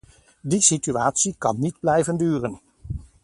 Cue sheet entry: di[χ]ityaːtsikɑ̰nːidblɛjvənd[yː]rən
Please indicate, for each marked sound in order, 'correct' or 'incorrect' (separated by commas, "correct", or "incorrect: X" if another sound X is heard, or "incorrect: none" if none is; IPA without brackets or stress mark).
incorrect: s, correct